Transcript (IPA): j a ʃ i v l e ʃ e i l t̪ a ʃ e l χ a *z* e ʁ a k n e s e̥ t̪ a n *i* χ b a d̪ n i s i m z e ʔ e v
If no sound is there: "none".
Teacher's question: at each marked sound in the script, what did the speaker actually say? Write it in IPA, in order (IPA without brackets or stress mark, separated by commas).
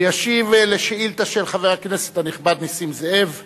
v, i